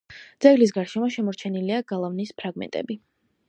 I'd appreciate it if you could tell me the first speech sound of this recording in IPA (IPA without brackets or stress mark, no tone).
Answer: d̪